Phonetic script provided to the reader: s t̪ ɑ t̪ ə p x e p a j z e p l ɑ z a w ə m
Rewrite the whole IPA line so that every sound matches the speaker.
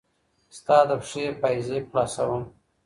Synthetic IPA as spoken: s t̪ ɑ d̪ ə p ʂ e p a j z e p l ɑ s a w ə m

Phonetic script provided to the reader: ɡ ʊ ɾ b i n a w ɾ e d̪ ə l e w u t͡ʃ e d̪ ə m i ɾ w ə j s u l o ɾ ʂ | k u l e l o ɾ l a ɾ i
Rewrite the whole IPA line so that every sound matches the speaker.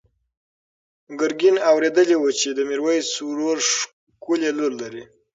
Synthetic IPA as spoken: ɡ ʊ ɾ ɡ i n a w ɾ e d̪ ə l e w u t͡ʃ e d̪ ə m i ɾ w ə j s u ɾ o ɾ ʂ | k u l e l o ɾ l a ɾ i

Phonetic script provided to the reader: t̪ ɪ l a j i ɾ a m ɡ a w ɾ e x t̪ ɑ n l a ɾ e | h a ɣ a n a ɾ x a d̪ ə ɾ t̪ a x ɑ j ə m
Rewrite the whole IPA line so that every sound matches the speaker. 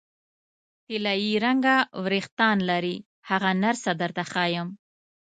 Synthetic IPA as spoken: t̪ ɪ l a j i ɾ a ŋ ɡ a w ɾ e x t̪ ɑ n l a ɾ i | h a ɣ a n a ɾ s a d̪ ə ɾ t̪ a x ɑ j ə m

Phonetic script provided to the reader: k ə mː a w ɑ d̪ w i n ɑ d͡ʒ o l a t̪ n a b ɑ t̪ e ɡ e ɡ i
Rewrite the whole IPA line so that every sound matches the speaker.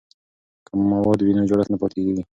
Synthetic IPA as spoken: k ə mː a w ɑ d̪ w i n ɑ d͡ʒ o ɽ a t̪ n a p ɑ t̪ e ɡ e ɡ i

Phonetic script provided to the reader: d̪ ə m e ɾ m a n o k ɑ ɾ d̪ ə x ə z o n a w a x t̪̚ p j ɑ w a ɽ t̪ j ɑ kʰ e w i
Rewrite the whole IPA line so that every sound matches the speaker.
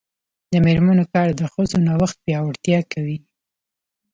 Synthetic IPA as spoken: d̪ ə m e ɾ m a n o k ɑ ɾ d̪ ə x ə z o n a w a x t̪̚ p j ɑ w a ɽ t̪ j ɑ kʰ a w i

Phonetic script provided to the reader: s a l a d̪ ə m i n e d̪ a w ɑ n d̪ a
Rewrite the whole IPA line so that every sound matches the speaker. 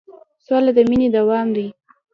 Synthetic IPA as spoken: s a l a d̪ ə m i n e d̪ a w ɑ m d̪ i

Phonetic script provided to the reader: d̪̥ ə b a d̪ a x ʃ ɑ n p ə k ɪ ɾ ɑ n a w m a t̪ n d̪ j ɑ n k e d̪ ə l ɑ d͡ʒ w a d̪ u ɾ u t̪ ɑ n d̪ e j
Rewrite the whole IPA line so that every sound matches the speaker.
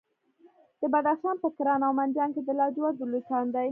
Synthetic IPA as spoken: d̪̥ ə b a d̪ a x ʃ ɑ n p ə k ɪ ɾ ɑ n a w m a n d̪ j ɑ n k e d̪ ə l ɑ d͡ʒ w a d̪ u l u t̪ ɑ n d̪ a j

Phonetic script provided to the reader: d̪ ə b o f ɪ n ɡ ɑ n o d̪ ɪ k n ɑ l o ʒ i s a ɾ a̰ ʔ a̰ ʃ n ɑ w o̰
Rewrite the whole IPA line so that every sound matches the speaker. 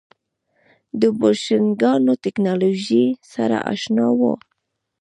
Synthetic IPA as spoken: d̪ ə b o ʃ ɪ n ɡ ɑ n o t̪ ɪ k n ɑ l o ʒ i s a ɾ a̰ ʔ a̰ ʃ n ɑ w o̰

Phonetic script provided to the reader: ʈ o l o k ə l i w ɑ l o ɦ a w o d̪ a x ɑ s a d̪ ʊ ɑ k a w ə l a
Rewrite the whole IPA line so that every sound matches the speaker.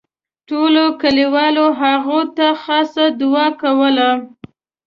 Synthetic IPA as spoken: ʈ o l o k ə l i w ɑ l o ɦ a ɣ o t̪ a x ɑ s a d̪ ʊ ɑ k a w ə l a

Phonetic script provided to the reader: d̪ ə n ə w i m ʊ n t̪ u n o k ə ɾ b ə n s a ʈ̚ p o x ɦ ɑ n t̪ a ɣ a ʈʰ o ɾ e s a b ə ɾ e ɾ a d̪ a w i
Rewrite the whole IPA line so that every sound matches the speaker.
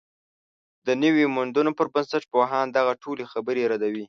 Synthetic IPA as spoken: d̪ ə n ə w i m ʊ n d̪ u n o p ə ɾ b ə n s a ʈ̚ p o ɦ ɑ n d̪ a ɣ a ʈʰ o l e x a b ə ɾ e ɾ a d̪ a w i

